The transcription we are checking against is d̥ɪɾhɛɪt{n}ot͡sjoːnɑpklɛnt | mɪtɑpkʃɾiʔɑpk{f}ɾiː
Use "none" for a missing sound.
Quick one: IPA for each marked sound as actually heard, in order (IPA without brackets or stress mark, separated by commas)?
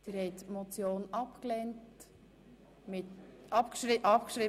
m, ʃ